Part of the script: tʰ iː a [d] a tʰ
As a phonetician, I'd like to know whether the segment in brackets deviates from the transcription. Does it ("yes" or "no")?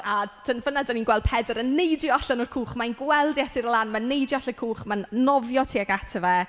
yes